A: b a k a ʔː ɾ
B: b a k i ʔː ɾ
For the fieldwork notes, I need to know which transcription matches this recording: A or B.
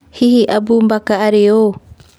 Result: A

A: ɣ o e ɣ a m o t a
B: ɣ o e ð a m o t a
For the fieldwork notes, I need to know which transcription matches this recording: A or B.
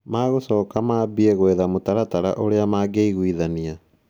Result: B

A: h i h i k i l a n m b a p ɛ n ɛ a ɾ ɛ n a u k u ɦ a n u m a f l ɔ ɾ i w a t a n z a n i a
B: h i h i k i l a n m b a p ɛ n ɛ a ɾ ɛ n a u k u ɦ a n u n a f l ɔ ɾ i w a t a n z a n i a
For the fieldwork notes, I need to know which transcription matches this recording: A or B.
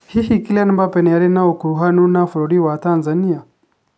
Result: B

